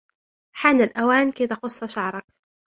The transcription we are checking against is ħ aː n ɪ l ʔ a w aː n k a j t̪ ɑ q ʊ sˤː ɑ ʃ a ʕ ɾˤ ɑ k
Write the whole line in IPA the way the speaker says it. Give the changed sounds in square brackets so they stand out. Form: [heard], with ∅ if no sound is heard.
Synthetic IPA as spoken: ħ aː n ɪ l ʔ a w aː n k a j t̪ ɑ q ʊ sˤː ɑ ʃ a ʕ ɾˤ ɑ k